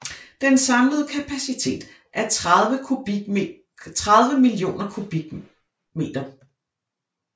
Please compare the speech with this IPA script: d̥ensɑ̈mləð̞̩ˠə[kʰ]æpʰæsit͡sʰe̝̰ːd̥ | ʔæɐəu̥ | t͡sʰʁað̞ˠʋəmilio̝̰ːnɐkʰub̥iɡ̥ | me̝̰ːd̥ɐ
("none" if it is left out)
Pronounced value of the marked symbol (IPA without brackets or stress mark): kʰ